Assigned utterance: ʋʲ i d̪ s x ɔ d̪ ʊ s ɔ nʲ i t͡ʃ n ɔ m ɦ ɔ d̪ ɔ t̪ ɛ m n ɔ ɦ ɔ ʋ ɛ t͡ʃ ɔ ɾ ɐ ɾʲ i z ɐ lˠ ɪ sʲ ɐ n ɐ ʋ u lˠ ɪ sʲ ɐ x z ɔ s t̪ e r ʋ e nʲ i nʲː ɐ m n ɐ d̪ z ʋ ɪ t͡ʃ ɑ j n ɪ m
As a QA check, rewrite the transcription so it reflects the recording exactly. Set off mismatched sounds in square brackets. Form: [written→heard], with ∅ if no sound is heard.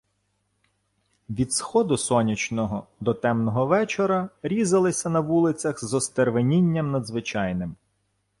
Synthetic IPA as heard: ʋʲ i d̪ s x ɔ d̪ ʊ s ɔ nʲ i t͡ʃ n ɔ [m→∅] ɦ ɔ d̪ ɔ t̪ ɛ m n ɔ ɦ ɔ ʋ ɛ t͡ʃ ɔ ɾ ɐ ɾʲ i z ɐ lˠ ɪ sʲ ɐ n ɐ ʋ u lˠ ɪ [sʲ→t͡sʲ] ɐ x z ɔ s t̪ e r ʋ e nʲ i nʲː ɐ m n ɐ d̪ z ʋ ɪ t͡ʃ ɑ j n ɪ m